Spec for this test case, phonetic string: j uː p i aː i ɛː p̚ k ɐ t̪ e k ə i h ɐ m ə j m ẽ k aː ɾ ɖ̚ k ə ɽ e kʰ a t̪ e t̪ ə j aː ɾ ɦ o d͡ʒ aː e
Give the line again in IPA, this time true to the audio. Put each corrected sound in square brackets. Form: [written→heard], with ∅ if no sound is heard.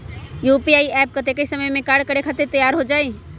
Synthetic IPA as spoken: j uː p i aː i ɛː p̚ k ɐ t̪ e k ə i [h→s] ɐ m ə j m ẽ k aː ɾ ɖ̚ k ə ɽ e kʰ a t̪ e t̪ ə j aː ɾ ɦ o d͡ʒ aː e